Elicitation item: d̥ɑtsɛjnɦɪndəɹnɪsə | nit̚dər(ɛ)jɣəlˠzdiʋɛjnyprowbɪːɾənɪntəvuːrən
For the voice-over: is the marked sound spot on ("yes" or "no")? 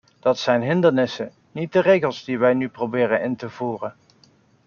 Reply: no